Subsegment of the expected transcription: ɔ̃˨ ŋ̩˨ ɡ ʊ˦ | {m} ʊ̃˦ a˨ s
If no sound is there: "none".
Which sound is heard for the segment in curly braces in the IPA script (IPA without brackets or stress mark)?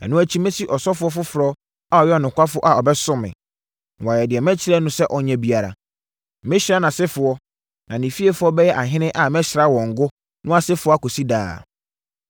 n